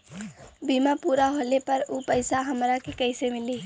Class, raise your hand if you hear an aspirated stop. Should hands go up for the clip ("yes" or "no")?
no